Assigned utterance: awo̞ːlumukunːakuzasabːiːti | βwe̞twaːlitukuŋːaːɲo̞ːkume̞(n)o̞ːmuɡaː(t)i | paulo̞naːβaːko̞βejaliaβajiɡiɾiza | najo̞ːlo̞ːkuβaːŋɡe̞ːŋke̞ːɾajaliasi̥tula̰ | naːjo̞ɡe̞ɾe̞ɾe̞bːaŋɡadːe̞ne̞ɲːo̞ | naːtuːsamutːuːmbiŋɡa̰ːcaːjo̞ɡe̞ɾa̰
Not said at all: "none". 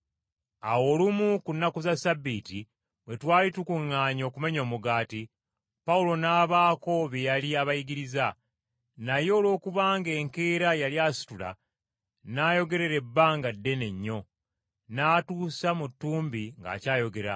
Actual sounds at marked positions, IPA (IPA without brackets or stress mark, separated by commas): ɲ, t